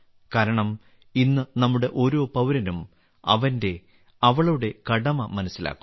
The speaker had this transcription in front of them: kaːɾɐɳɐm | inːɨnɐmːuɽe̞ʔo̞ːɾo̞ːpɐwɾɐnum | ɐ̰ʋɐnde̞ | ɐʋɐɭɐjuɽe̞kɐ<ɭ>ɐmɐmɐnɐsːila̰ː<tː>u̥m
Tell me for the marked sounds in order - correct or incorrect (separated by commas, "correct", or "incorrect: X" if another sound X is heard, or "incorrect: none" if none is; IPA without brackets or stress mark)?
incorrect: ɽ, incorrect: kː